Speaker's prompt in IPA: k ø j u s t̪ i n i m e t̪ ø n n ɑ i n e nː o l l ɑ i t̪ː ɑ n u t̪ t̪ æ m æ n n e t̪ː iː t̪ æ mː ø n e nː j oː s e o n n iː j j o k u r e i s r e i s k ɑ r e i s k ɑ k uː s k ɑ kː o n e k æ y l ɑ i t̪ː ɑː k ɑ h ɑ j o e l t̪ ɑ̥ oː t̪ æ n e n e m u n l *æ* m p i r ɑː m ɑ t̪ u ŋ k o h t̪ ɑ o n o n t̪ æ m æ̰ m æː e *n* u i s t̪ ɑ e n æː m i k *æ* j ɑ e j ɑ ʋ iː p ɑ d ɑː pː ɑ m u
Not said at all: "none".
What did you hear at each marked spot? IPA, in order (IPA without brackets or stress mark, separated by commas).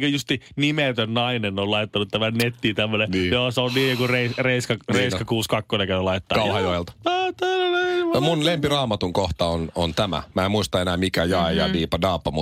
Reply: e, m, æ